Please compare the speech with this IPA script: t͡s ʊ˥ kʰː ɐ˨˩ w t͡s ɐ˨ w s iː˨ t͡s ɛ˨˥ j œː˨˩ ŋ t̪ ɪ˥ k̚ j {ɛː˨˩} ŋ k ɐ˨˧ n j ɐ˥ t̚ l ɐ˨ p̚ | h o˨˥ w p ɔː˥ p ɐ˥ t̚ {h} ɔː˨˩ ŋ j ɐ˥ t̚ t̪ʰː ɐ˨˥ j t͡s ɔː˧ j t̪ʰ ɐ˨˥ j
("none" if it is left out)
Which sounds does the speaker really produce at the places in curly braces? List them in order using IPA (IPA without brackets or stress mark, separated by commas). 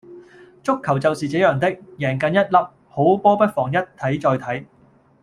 ɛː˨˩, f